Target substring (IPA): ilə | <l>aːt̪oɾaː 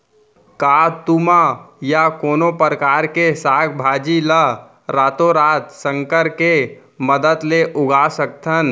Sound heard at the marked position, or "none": ɾ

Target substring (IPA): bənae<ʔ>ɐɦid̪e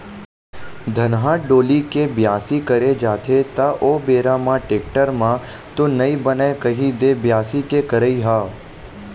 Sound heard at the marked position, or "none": k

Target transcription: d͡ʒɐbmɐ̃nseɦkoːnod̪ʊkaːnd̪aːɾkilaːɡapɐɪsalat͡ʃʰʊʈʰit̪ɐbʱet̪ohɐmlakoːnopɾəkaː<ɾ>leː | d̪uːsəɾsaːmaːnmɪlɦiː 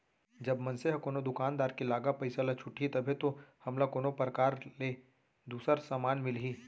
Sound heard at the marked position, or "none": ɾ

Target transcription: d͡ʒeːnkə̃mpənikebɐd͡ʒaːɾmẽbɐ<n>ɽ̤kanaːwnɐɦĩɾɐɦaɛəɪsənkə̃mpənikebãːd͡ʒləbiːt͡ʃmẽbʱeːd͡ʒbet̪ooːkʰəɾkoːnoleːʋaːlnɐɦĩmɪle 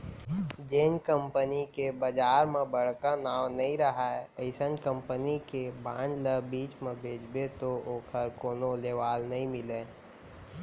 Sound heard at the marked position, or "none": none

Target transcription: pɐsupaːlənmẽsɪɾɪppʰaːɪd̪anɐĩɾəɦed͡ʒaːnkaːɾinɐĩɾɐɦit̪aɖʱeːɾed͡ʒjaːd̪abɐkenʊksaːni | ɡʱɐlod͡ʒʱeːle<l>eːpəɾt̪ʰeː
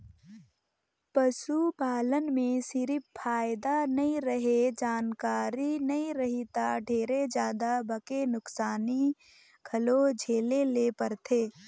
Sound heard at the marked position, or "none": l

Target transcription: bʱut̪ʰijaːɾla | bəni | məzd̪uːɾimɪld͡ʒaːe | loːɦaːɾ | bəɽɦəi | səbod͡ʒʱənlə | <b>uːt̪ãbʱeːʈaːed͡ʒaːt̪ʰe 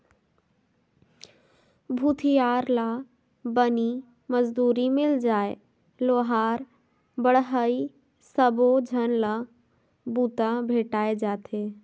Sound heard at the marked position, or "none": b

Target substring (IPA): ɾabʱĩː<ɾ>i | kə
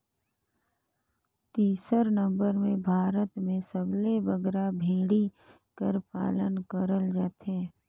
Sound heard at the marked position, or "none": ɽ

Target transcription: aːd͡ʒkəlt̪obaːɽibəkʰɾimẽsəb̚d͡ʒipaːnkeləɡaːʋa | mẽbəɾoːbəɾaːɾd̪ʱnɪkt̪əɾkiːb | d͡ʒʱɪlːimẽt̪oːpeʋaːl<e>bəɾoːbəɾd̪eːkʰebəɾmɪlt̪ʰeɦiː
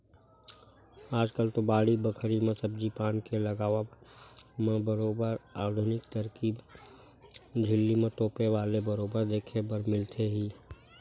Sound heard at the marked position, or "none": e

